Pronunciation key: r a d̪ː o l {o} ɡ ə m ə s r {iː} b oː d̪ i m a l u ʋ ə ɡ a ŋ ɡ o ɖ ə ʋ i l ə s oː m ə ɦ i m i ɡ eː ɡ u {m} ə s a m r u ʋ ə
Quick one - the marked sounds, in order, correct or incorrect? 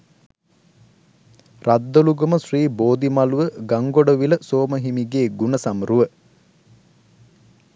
incorrect, correct, incorrect

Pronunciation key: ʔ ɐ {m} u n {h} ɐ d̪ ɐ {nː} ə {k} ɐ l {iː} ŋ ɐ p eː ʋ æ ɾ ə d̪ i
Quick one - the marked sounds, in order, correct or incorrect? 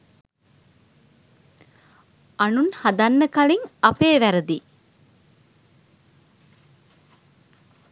incorrect, correct, correct, correct, incorrect

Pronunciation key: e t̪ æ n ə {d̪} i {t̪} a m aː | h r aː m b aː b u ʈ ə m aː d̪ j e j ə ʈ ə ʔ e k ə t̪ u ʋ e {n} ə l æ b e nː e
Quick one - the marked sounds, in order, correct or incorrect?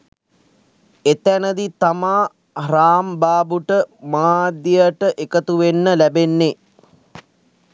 correct, correct, incorrect

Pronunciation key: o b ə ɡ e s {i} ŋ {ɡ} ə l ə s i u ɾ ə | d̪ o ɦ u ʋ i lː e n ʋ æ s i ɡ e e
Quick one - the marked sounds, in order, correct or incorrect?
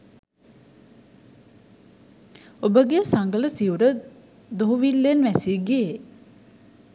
incorrect, correct

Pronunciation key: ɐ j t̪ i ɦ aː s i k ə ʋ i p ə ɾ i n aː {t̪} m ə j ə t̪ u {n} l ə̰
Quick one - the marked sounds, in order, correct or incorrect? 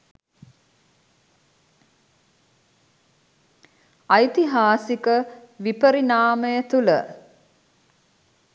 incorrect, incorrect

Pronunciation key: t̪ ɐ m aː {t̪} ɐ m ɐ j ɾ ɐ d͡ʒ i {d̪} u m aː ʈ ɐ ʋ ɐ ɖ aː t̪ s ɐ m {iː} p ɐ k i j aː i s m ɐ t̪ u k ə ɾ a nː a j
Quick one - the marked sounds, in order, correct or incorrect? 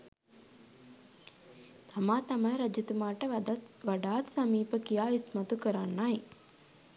correct, incorrect, correct

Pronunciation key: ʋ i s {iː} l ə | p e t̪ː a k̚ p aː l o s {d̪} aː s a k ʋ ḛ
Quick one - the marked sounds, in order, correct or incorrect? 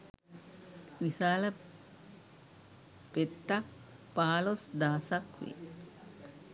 incorrect, correct

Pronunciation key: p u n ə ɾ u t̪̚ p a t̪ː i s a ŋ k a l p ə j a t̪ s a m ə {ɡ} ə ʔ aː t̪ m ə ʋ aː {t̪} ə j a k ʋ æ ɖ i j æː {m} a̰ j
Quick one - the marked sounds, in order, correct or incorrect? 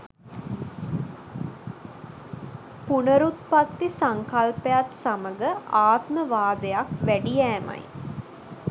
correct, incorrect, correct

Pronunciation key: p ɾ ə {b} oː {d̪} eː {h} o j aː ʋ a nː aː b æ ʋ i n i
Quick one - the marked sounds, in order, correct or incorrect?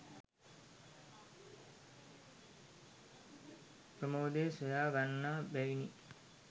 incorrect, correct, incorrect

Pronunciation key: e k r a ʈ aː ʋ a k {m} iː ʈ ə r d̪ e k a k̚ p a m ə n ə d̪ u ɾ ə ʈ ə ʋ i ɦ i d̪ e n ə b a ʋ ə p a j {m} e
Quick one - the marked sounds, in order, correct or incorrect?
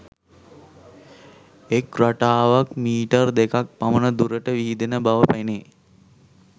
correct, incorrect

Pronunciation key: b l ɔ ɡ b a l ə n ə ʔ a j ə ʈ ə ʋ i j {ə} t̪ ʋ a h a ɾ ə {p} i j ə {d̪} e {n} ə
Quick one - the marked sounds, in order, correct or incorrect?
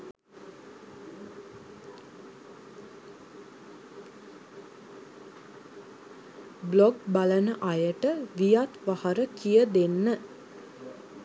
incorrect, incorrect, correct, incorrect

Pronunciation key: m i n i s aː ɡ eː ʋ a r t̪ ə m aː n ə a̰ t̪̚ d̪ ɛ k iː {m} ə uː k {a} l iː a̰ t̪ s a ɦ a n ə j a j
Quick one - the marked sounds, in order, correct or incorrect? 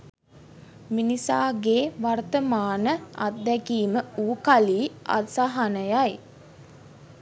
correct, correct

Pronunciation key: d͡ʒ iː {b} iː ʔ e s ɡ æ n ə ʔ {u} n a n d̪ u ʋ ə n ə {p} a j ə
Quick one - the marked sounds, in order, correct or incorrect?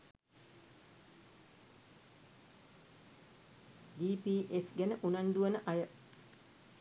incorrect, correct, incorrect

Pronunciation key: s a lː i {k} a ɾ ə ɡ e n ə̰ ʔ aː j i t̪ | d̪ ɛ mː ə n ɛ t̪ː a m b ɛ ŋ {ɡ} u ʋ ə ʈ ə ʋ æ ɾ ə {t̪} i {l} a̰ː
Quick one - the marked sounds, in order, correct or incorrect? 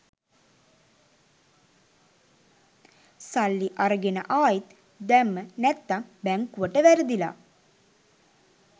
incorrect, incorrect, incorrect, correct

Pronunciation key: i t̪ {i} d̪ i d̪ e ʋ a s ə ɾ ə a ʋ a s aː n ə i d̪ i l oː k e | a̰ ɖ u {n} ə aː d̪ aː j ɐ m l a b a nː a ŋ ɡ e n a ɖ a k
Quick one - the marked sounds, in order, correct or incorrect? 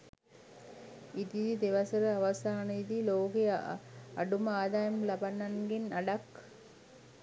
correct, incorrect

